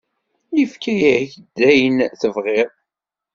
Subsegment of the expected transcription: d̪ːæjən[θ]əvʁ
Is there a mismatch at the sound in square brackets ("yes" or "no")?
no